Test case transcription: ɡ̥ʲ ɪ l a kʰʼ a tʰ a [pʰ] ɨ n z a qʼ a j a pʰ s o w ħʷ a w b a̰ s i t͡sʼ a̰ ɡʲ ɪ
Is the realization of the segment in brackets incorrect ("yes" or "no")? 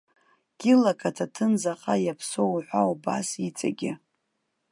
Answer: yes